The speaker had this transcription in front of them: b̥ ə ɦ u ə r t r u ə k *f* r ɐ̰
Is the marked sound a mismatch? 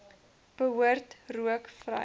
no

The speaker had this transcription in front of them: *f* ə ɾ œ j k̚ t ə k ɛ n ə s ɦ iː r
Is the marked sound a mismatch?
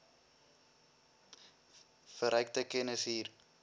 no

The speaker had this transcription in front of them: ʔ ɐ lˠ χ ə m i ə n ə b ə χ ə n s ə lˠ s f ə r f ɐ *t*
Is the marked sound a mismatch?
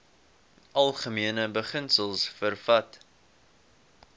no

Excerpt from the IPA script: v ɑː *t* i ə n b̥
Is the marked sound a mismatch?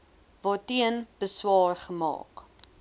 no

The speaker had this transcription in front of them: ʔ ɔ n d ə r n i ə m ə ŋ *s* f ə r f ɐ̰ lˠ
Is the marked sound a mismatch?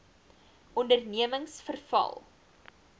no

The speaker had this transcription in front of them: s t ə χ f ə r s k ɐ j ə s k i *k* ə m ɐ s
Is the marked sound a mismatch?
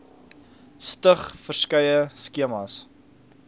yes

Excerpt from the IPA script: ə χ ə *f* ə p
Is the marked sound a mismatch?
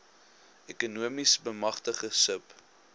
yes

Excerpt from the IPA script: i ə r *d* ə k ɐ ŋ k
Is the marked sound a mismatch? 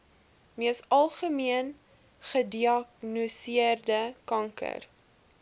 no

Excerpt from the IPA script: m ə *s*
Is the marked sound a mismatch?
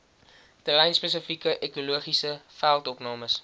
no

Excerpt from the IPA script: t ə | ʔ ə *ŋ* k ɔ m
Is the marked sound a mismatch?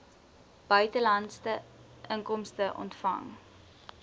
no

